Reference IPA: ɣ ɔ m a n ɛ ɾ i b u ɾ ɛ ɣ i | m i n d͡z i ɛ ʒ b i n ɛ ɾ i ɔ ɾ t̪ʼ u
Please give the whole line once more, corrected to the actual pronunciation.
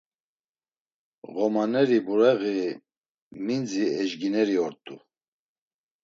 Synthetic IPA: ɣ ɔ m a n ɛ ɾ i b u ɾ ɛ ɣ i | m i n d͡z i ɛ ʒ ɡ i n ɛ ɾ i ɔ ɾ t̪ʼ u